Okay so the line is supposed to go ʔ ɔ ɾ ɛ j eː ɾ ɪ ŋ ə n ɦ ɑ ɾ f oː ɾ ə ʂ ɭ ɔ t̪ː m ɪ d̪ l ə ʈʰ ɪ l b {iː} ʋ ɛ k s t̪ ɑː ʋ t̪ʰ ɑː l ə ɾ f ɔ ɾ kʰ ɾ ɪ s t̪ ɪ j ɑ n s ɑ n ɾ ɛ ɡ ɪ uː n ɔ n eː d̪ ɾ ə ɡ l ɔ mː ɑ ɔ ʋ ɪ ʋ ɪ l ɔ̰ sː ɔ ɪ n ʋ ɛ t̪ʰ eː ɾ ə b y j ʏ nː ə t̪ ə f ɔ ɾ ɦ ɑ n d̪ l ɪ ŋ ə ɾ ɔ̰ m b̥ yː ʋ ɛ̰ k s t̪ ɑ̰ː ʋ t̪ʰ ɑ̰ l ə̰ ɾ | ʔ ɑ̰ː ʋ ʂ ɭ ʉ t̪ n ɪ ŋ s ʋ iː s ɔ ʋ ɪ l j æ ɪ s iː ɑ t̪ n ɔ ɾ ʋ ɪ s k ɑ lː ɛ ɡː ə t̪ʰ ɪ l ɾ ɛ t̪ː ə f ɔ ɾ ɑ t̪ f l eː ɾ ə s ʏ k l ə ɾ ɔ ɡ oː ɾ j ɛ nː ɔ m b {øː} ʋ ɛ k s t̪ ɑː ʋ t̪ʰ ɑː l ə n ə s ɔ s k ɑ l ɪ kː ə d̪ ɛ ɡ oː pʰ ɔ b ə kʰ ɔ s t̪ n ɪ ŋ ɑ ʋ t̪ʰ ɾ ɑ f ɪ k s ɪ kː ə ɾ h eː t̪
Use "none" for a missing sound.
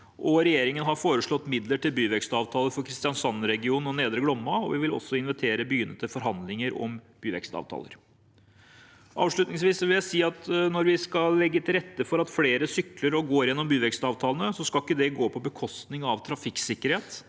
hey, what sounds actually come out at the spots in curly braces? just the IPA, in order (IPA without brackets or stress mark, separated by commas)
yː, yː